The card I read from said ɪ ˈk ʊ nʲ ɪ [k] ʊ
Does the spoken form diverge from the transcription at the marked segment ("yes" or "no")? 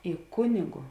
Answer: yes